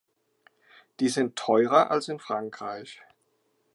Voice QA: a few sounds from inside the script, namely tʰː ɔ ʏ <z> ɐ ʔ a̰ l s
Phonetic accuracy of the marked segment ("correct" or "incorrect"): incorrect